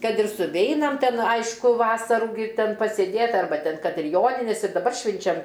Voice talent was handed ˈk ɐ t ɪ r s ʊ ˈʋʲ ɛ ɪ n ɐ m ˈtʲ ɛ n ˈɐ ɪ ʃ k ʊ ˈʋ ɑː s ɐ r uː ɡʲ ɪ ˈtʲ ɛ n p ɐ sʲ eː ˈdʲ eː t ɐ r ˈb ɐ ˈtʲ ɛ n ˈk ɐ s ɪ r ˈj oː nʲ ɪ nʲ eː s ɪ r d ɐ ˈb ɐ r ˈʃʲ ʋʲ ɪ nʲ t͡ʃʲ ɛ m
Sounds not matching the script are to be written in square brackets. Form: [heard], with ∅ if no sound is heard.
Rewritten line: ˈk ɐ t ɪ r s ʊ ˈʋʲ ɛ ɪ n ɐ m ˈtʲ ɛ n ˈɐ ɪ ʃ k ʊ ˈʋ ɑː s ɐ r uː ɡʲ ɪ ˈtʲ ɛ n p ɐ sʲ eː ˈdʲ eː t ɐ r ˈb ɐ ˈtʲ ɛ n ˈk ɐ [t] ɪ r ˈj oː nʲ ɪ nʲ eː s ɪ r d ɐ ˈb ɐ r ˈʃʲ ʋʲ ɪ nʲ t͡ʃʲ ɛ m